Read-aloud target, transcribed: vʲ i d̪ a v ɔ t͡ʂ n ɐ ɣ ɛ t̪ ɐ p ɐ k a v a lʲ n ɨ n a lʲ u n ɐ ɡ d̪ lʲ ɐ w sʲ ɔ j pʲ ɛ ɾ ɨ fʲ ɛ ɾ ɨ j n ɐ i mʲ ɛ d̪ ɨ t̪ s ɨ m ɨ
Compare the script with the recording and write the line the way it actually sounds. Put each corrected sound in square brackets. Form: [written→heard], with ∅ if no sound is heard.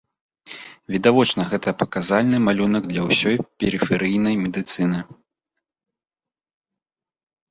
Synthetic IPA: vʲ i d̪ a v ɔ t͡ʂ n ɐ ɣ ɛ t̪ ɐ p ɐ k a [v→z] a lʲ n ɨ [n→m] a lʲ u n ɐ ɡ d̪ lʲ ɐ w sʲ ɔ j pʲ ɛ ɾ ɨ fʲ ɛ ɾ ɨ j n ɐ [i→j] mʲ ɛ d̪ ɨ t̪ s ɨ [m→n] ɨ